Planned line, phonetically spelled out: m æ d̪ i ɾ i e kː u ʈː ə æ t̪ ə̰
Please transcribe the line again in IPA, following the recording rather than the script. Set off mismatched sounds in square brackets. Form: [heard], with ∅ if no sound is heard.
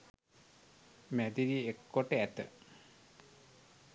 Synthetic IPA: m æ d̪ i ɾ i e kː [o] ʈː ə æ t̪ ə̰